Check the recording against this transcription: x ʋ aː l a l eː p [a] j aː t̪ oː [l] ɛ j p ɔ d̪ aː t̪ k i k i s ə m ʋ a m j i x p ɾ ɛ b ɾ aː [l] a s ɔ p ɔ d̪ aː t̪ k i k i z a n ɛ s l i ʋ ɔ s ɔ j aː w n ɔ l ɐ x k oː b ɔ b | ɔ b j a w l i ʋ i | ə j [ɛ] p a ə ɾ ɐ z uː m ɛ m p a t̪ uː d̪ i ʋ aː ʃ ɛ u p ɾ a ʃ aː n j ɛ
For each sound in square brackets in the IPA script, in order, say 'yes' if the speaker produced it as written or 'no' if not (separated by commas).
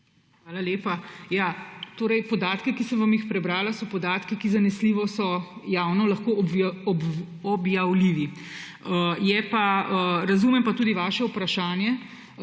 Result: yes, no, yes, yes